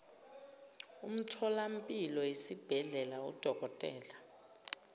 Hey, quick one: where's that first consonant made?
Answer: lips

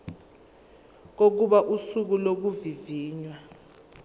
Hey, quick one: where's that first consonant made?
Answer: velum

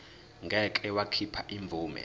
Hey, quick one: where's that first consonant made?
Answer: velum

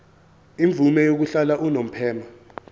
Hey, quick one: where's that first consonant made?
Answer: lips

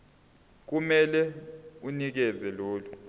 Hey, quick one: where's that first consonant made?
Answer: velum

